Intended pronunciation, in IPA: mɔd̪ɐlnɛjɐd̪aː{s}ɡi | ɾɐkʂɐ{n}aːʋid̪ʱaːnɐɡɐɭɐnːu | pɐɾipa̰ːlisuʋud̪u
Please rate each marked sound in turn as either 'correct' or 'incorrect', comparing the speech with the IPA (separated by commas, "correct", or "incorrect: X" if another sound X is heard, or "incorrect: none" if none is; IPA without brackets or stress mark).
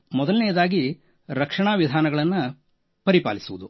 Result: incorrect: none, incorrect: ɳ